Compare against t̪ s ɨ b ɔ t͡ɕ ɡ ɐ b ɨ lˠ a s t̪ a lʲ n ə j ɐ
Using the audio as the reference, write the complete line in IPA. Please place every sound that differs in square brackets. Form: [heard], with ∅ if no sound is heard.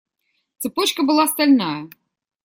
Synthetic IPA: t̪ s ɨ [p] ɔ t͡ɕ [k] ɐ b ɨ lˠ a s t̪ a lʲ n [a] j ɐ